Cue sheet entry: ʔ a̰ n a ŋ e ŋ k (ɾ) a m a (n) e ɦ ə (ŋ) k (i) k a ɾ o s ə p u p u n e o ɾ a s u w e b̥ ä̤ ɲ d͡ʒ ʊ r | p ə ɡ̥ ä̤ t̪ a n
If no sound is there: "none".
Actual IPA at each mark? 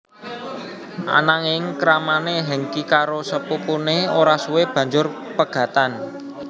ɾ, n, ŋ, i

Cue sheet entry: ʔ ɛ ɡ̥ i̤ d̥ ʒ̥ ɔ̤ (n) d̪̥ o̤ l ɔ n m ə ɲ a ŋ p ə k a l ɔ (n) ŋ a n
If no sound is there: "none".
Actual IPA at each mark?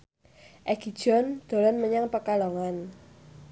n, none

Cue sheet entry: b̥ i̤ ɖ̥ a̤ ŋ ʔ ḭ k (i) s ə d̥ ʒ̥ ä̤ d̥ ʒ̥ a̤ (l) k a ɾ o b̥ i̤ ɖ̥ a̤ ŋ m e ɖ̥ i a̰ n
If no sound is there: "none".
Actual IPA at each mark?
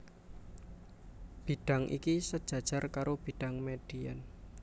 i, r

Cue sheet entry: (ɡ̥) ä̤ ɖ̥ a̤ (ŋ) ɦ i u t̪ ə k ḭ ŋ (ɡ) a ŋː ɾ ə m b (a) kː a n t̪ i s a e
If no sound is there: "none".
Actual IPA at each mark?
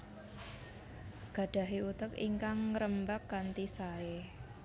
ɡ̥, none, k, a

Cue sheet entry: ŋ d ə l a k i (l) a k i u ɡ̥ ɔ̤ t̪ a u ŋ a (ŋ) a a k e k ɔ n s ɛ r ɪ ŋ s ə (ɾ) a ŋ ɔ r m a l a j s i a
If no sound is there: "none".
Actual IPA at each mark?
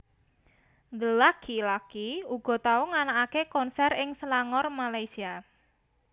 l, n, l

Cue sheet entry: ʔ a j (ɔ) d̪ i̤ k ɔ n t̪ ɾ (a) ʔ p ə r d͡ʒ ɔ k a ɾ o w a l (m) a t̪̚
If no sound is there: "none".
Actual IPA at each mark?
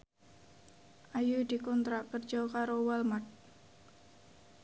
u, a, m

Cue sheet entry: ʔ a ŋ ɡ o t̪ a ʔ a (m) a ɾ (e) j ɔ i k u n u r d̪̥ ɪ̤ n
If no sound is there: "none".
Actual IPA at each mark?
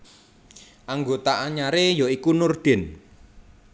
ɲ, e

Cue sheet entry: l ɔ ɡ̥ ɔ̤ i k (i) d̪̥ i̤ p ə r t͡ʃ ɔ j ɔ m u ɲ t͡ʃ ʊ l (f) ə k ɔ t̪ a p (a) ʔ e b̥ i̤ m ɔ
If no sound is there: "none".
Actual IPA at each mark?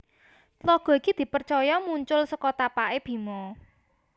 i, s, a

